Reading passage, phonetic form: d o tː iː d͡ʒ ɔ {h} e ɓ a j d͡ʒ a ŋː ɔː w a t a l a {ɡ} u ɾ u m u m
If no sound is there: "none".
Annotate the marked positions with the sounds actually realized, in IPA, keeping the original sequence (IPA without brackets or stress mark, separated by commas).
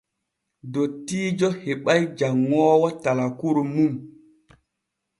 h, k